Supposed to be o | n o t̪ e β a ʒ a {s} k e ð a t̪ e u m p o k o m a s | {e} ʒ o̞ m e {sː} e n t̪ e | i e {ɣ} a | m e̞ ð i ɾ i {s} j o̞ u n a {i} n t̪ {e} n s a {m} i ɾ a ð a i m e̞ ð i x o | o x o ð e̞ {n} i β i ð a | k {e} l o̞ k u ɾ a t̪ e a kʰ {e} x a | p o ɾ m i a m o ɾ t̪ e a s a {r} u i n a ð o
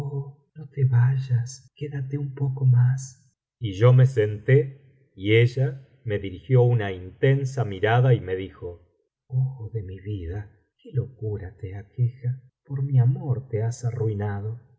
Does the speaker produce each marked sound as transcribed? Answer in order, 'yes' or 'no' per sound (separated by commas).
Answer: yes, no, no, no, no, yes, yes, yes, no, yes, yes, yes